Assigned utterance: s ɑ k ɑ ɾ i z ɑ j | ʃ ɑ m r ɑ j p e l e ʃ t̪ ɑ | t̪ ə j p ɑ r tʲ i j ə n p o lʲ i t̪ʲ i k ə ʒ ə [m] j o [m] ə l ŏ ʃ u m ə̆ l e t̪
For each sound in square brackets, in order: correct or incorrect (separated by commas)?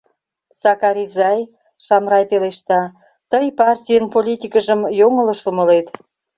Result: correct, incorrect